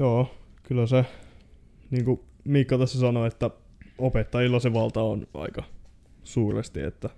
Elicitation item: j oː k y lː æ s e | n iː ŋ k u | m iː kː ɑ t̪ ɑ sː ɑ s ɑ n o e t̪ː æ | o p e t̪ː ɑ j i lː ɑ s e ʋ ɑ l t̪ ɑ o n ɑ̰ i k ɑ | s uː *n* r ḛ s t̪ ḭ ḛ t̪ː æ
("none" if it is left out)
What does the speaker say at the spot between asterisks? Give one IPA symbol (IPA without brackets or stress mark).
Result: none